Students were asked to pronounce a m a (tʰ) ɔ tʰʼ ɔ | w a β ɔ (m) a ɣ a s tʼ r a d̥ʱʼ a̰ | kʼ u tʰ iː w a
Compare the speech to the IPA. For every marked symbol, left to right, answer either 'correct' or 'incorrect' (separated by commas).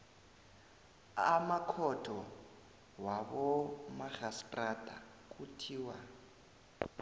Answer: incorrect, correct